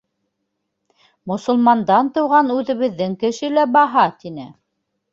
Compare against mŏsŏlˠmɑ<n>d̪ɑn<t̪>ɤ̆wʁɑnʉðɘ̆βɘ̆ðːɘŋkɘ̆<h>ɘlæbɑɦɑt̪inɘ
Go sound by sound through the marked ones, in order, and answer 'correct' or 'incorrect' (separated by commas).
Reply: correct, correct, incorrect